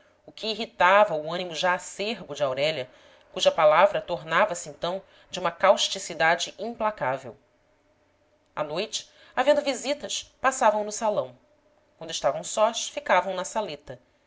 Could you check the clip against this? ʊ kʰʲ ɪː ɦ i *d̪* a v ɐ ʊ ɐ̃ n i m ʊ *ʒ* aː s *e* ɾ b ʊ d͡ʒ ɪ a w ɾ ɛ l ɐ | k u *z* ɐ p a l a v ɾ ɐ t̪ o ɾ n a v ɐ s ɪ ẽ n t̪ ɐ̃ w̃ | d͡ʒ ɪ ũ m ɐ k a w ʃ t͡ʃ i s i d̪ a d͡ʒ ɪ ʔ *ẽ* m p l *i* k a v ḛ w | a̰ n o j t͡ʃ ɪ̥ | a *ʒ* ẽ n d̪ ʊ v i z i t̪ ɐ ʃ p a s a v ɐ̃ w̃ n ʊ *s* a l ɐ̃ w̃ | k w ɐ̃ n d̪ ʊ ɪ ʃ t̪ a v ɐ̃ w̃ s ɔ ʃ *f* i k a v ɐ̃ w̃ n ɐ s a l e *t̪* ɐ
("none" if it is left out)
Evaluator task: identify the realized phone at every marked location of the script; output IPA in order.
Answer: t̪, ʒ, e, ʒ, ĩ, a, v, s, f, t̪

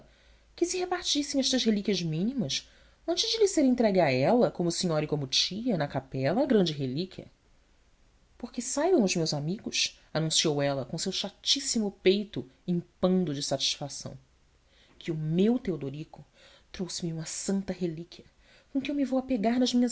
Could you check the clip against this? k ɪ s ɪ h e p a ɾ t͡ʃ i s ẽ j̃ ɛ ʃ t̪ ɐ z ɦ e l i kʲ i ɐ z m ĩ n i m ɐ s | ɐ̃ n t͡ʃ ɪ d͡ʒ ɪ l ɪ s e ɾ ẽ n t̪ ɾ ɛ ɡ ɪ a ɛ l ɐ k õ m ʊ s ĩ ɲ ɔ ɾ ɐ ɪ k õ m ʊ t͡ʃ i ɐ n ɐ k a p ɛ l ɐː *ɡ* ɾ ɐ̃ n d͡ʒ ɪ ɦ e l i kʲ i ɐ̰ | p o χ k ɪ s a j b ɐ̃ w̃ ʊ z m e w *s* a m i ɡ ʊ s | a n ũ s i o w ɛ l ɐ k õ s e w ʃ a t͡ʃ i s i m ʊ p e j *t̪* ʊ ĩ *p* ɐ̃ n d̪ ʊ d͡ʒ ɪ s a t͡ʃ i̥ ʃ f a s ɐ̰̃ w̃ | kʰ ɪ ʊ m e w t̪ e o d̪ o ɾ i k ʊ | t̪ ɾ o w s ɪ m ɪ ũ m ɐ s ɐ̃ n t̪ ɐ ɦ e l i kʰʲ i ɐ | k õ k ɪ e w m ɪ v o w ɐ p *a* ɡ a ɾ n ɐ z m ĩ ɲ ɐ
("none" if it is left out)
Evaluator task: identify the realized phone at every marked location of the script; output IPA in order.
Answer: ɡ, z, t̪, p, e

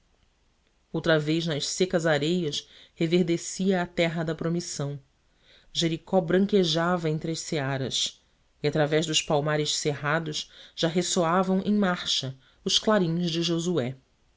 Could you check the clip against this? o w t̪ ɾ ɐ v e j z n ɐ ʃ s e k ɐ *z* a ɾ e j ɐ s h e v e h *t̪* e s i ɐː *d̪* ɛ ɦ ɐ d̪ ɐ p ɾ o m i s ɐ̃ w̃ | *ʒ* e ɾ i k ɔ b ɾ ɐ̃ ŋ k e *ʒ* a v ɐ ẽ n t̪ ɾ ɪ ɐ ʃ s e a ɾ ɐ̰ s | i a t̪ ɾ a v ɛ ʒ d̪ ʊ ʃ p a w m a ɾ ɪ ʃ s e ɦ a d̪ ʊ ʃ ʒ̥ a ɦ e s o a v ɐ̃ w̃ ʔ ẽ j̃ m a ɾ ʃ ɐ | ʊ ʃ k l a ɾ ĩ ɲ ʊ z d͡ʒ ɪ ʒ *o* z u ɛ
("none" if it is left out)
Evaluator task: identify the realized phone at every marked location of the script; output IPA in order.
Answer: z, d̪, t̪, ʒ, ʒ, o

